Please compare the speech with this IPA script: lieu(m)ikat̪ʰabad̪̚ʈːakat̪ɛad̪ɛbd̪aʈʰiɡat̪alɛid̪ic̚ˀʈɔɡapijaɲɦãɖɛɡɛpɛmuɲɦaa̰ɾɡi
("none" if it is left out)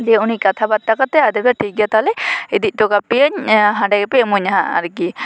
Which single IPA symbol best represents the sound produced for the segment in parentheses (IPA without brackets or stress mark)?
n